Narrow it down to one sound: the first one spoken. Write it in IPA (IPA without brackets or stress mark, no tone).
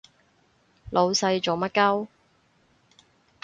l